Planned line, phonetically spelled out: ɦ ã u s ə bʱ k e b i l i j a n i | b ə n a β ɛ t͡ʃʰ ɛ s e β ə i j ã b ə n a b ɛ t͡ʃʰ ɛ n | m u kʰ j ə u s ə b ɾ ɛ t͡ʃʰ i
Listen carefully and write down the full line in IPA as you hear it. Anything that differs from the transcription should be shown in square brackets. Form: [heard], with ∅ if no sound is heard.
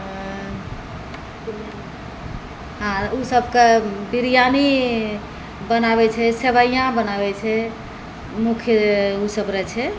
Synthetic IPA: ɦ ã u s ə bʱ k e b i [ɾ] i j a n i | b ə n a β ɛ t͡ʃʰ ɛ s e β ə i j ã b ə n a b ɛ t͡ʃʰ ɛ [∅] | m u kʰ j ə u s ə b ɾ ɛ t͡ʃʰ [ɛ]

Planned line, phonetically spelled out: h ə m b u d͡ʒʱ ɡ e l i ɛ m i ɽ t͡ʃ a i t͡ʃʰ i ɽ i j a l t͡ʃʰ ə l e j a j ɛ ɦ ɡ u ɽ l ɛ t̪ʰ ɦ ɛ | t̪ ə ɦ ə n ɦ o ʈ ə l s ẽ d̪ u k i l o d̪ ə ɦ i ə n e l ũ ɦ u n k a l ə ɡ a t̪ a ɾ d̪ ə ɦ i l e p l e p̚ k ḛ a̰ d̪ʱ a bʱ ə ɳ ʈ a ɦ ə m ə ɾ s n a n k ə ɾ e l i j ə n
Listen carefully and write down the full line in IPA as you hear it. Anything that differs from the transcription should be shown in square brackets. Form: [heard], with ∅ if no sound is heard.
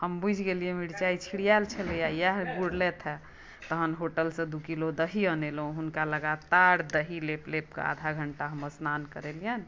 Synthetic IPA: h ə m b u d͡ʒʱ ɡ e l i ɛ m i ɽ t͡ʃ a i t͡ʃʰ i ɽ i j a l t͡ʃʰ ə l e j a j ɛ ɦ ɡ u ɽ l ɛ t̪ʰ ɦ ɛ | t̪ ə ɦ ə n ɦ o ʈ ə l s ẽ d̪ u k i l o d̪ ə ɦ i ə n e l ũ ɦ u n k a l ə ɡ a t̪ a ɾ d̪ ə ɦ i l e p l e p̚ k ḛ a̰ d̪ʱ a [ɡʱ] ə ɳ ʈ a ɦ ə m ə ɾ s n a n k ə ɾ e l i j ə n

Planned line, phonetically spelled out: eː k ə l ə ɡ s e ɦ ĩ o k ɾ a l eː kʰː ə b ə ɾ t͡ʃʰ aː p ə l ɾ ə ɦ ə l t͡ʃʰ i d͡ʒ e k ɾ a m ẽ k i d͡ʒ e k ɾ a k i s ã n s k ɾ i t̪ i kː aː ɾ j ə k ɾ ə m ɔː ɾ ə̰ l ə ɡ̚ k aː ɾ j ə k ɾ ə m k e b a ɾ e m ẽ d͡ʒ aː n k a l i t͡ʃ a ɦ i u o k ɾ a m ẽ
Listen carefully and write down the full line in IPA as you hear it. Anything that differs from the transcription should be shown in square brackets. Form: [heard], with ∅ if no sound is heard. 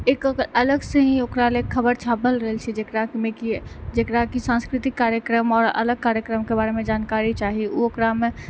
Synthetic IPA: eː k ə l ə ɡ s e ɦ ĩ o k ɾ a l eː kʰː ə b ə ɾ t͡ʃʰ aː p ə l ɾ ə ɦ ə l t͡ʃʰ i d͡ʒ e k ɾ a m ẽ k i d͡ʒ e k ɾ a k i s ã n s k ɾ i t̪ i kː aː ɾ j ə k ɾ ə m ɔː ɾ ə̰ l ə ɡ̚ k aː ɾ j ə k ɾ ə m k e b a ɾ e m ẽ d͡ʒ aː n k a [ɾ] i t͡ʃ a ɦ i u o k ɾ a m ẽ

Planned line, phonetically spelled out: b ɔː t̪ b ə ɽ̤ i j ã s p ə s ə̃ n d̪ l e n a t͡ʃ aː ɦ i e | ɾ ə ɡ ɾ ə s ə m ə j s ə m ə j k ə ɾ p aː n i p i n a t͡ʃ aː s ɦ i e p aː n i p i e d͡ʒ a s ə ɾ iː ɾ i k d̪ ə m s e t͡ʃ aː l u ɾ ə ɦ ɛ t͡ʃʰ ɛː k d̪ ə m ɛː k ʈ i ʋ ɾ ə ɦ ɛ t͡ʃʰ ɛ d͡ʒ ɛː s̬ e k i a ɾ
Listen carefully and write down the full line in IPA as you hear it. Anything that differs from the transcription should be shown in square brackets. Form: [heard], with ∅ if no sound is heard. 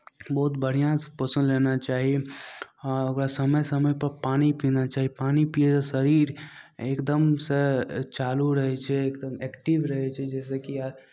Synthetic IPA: b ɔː t̪ b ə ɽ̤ i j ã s p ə s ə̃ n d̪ l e n a t͡ʃ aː ɦ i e | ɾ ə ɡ ɾ [a] s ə m ə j s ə m ə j [p] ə ɾ p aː n i p i n a t͡ʃ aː [∅] ɦ i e p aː n i p i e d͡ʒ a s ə ɾ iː ɾ [e] k d̪ ə m s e t͡ʃ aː l u ɾ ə ɦ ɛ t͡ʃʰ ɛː k d̪ ə m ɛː k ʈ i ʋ ɾ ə ɦ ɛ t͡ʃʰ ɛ d͡ʒ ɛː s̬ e k i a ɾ

